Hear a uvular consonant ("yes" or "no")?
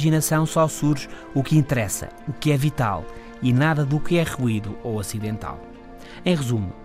yes